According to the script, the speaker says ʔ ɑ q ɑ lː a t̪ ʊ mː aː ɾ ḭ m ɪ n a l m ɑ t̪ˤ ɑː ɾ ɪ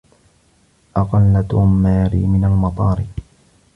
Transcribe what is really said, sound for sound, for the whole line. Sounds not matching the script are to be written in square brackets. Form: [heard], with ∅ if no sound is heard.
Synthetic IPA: ʔ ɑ q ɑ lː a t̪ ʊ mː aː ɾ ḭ m ɪ n a l m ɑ t̪ˤ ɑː ɾ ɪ